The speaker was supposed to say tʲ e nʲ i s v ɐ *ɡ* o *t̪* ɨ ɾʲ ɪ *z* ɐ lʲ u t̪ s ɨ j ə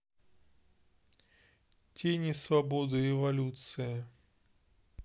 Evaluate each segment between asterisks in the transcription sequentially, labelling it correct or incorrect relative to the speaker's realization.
incorrect: b, incorrect: d̪, incorrect: v

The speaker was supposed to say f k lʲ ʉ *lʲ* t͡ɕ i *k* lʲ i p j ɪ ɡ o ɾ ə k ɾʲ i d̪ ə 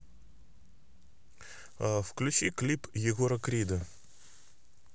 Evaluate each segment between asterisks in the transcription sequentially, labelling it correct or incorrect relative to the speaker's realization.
incorrect: none, correct

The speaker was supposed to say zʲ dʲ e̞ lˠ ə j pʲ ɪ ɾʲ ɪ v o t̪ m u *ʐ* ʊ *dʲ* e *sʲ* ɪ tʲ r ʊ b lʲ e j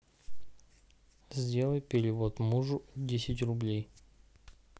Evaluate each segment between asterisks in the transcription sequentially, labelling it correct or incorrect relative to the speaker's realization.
correct, correct, correct

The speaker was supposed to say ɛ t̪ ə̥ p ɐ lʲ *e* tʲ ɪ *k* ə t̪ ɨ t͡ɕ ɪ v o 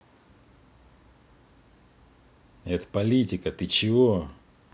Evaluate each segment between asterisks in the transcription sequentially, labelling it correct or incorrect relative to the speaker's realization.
incorrect: i, correct

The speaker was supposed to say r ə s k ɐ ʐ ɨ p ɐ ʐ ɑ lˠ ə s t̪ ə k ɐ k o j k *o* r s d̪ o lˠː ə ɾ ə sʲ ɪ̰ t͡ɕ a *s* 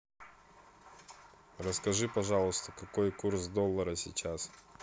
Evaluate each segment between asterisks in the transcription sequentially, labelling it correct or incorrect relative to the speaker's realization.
incorrect: u, correct

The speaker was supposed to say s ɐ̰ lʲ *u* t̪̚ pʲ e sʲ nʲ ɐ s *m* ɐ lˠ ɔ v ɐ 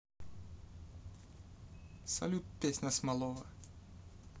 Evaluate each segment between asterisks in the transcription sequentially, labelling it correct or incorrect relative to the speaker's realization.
correct, correct

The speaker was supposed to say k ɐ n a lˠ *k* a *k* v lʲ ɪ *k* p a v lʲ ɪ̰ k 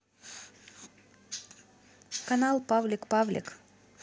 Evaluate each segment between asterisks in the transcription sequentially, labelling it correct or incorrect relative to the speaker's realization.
incorrect: p, incorrect: none, correct

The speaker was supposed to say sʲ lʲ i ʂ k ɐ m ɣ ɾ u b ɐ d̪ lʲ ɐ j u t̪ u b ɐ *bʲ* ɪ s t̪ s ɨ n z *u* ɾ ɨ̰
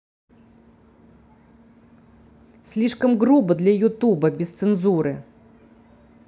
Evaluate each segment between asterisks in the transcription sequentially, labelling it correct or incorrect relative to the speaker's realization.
correct, correct

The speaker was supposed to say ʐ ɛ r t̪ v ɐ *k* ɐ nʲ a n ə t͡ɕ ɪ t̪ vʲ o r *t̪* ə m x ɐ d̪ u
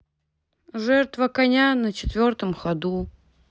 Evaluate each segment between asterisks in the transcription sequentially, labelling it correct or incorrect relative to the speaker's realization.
correct, correct

